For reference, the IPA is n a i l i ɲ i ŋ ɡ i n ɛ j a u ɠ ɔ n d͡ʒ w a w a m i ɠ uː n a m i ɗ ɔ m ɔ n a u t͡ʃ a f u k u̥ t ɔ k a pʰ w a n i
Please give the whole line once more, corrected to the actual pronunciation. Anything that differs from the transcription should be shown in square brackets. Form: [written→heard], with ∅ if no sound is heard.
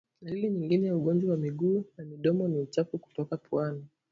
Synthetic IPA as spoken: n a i l i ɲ i ŋ ɡ i n ɛ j a u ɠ ɔ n d͡ʒ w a w a m i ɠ uː n a m i ɗ ɔ m ɔ n [a→i] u t͡ʃ a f u k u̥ t ɔ k a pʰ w a n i